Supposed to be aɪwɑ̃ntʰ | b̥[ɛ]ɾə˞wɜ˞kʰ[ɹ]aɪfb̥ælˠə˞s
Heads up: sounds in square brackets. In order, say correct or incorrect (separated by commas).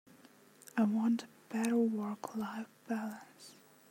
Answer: correct, incorrect